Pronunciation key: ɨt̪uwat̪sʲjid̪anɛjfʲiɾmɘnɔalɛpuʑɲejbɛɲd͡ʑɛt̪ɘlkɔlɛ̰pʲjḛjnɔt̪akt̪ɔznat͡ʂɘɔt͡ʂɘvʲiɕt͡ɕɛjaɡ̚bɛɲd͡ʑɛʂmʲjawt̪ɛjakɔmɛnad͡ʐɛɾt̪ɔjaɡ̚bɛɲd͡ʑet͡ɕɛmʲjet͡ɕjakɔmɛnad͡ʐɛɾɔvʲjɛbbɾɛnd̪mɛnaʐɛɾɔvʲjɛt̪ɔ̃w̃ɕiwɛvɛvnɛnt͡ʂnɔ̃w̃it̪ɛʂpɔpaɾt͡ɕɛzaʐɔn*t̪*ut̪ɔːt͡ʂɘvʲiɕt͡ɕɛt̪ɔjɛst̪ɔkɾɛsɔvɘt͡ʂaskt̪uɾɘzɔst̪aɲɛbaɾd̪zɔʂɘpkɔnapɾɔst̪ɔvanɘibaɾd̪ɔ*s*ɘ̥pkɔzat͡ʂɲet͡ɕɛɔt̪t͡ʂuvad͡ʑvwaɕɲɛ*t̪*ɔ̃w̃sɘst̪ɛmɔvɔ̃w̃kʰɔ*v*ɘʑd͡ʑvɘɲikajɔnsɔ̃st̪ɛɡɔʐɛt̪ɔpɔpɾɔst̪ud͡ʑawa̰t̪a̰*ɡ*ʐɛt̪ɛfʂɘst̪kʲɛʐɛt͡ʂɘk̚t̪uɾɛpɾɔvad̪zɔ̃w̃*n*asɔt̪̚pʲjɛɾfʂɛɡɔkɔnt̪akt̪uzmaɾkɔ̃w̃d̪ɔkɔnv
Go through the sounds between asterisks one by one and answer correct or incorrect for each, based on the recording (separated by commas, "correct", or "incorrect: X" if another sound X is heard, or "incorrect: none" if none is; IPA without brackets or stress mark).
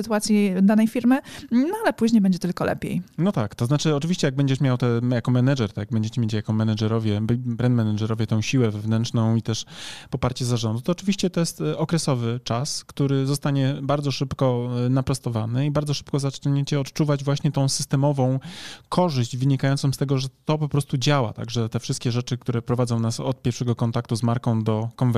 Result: incorrect: d̪, incorrect: ʂ, correct, incorrect: ʐ, correct, correct